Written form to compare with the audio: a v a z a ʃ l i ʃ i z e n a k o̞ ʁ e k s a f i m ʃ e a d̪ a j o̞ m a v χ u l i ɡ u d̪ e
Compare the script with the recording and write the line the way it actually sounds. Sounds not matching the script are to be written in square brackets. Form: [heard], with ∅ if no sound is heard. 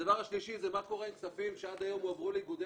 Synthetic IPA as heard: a v a [ʁ] a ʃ l i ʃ i z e [m] a k o̞ ʁ e k s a f i m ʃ e a d̪ a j o̞ m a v [ʁ] u l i ɡ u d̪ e